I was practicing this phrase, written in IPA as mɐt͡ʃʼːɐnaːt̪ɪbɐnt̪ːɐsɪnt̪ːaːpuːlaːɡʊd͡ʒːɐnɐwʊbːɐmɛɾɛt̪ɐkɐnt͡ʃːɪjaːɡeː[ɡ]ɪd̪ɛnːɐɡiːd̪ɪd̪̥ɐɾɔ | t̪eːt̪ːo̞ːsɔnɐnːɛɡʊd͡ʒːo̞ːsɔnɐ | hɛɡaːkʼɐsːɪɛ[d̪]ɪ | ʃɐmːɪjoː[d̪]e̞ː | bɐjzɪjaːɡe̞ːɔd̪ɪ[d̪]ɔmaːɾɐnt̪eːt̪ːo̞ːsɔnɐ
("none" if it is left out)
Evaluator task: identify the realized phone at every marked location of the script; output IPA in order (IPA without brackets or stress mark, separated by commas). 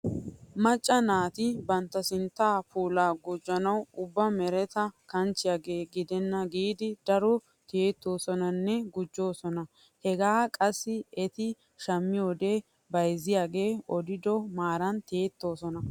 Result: ɡ, t̪, d̪, d̪